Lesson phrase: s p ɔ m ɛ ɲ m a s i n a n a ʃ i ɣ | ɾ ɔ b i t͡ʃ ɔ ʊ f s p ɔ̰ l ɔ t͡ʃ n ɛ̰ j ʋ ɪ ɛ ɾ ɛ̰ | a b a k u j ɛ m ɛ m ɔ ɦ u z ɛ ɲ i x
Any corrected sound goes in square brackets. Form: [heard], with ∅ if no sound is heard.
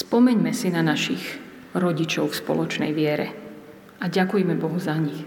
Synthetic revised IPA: s p ɔ m ɛ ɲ m [ɛ] s i n a n a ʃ i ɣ | ɾ ɔ [ɟ] i t͡ʃ ɔ ʊ f s p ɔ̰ l ɔ t͡ʃ n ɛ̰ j ʋ ɪ ɛ ɾ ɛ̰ | a [ɟ] a k u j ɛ m ɛ [b] ɔ ɦ u z [a] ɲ i x